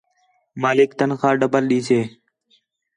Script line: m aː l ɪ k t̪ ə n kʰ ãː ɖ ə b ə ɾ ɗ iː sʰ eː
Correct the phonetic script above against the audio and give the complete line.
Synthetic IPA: m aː l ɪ k t̪ ə n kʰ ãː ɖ ə b ə l ɗ iː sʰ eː